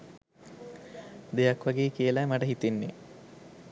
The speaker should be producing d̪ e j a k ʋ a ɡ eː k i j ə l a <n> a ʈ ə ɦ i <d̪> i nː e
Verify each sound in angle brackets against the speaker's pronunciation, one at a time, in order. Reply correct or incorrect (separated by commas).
incorrect, incorrect